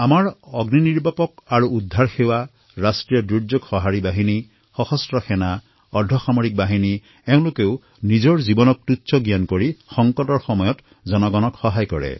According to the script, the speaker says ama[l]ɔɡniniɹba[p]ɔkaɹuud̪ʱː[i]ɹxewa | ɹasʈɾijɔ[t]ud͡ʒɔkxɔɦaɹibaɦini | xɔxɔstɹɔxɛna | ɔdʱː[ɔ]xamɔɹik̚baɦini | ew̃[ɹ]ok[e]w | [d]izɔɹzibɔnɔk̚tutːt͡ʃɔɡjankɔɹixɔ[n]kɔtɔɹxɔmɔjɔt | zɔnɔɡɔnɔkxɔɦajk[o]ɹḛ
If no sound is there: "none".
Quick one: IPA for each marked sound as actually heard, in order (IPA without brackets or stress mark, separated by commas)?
ɹ, p, a, d, ɔ, l, e, n, ŋ, ɔ